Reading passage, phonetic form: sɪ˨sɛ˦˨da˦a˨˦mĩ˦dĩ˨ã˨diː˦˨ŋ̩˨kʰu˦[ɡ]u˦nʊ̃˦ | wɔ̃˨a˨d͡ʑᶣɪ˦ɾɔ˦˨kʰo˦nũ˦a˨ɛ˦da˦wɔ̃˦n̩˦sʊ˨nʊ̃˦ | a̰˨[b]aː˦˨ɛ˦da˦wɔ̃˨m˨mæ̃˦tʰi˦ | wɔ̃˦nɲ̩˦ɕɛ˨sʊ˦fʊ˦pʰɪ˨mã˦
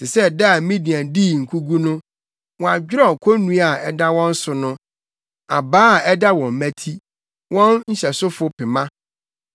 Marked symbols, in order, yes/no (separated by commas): yes, yes